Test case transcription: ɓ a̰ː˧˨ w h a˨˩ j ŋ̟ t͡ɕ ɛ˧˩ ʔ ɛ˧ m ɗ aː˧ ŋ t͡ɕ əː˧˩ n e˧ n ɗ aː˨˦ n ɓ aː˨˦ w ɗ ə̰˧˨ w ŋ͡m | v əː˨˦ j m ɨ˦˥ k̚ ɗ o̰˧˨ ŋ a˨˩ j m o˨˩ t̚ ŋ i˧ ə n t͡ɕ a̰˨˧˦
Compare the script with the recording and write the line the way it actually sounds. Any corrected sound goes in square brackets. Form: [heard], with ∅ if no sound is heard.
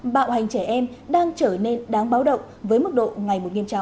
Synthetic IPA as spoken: ɓ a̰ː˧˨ w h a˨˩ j ŋ̟ t͡ɕ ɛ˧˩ ʔ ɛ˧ m ɗ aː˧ ŋ t͡ɕ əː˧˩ n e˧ n ɗ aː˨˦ [ŋ] ɓ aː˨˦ w ɗ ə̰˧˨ w ŋ͡m | v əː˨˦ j m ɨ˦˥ k̚ ɗ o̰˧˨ ŋ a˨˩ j m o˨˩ t̚ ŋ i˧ ə [m] t͡ɕ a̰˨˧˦

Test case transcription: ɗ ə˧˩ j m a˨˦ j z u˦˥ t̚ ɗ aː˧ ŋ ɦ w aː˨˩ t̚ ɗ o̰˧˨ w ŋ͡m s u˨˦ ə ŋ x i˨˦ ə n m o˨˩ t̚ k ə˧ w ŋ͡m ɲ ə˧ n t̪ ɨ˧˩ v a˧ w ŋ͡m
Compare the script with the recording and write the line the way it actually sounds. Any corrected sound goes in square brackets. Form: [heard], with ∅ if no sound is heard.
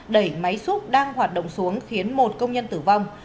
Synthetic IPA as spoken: ɗ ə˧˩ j m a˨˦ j [s] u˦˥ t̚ ɗ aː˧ ŋ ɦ w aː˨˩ t̚ ɗ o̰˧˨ w ŋ͡m s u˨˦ ə ŋ x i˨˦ ə n m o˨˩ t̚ k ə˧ w ŋ͡m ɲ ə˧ n t̪ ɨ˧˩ v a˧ w ŋ͡m

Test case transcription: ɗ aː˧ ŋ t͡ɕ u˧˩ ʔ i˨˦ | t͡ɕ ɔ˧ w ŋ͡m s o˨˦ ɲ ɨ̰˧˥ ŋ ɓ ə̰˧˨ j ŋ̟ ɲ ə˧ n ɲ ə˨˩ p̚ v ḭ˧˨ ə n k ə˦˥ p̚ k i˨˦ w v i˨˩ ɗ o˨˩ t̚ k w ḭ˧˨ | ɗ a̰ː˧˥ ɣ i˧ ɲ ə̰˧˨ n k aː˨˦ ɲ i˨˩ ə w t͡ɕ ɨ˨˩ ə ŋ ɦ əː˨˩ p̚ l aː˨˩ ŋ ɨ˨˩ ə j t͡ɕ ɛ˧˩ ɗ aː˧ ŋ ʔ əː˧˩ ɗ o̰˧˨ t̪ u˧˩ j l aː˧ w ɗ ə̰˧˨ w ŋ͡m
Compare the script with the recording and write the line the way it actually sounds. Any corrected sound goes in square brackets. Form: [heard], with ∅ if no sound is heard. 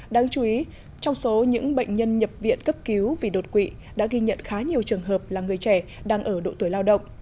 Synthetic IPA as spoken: ɗ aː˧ ŋ t͡ɕ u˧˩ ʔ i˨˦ | t͡ɕ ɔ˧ w ŋ͡m s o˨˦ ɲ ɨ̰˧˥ ŋ ɓ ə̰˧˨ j ŋ̟ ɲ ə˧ n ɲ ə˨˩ p̚ v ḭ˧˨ ə n k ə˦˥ p̚ k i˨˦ w v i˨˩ ɗ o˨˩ t̚ k w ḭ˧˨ | ɗ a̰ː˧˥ ɣ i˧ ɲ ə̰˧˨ n [x] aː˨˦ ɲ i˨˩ ə w t͡ɕ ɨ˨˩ ə ŋ ɦ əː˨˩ p̚ l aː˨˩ ŋ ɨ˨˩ ə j t͡ɕ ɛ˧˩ ɗ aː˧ ŋ ʔ əː˧˩ ɗ o̰˧˨ t̪ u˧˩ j l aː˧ w ɗ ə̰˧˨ w ŋ͡m

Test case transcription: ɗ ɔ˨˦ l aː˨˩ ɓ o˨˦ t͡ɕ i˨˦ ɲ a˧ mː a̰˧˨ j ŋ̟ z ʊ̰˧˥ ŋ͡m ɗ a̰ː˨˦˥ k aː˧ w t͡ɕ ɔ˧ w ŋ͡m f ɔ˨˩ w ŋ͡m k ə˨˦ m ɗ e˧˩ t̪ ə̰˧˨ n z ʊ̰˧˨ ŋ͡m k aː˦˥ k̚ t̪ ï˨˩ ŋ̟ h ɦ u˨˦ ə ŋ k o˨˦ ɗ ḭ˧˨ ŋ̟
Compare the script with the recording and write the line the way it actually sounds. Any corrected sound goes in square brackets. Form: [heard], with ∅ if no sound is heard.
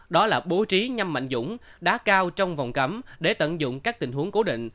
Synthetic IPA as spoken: ɗ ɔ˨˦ l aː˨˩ ɓ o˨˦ t͡ɕ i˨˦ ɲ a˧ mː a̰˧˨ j ŋ̟ z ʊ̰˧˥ ŋ͡m ɗ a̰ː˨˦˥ k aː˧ w t͡ɕ ɔ˧ w ŋ͡m [v] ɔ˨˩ w ŋ͡m k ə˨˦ m ɗ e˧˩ t̪ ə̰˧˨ n z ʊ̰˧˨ ŋ͡m k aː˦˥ k̚ t̪ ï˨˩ ŋ̟ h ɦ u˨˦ ə ŋ k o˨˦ ɗ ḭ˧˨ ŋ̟

